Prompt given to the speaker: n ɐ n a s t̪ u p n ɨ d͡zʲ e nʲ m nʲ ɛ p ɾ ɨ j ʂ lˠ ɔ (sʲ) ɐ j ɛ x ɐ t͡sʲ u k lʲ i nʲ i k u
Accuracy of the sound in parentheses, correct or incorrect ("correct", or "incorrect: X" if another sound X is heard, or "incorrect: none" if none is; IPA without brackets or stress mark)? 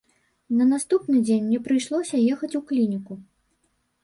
correct